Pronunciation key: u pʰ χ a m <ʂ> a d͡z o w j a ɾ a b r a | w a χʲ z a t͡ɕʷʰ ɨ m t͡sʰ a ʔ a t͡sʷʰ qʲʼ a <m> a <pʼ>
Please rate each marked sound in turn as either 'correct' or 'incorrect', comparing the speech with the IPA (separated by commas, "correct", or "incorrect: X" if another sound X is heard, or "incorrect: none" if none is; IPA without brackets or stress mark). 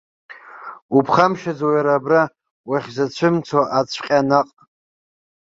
incorrect: ʃ, incorrect: n, incorrect: qʼ